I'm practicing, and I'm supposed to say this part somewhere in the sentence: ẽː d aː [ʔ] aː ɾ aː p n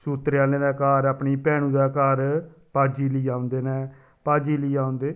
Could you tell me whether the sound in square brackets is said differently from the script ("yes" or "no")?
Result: yes